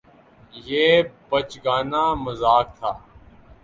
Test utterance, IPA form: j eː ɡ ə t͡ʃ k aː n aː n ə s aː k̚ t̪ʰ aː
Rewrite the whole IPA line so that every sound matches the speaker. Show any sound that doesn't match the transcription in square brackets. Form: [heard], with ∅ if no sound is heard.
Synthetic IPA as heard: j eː [b] ə t͡ʃ [ɡ] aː n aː [m] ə [z] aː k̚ t̪ʰ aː